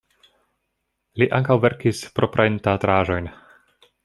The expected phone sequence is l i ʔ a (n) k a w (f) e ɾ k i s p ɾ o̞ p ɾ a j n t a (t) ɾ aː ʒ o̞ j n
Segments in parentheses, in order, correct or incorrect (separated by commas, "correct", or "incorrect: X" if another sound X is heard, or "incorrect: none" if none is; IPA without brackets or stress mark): incorrect: ŋ, incorrect: v, correct